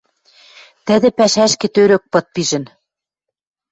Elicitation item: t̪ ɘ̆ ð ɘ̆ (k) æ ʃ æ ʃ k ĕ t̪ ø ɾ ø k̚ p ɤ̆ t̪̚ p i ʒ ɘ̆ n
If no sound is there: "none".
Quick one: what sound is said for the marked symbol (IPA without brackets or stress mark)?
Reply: p